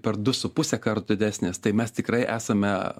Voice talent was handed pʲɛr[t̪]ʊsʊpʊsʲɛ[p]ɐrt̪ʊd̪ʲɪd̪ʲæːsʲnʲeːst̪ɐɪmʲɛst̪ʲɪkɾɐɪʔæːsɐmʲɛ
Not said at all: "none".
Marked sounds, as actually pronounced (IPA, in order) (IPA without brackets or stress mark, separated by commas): d̪, k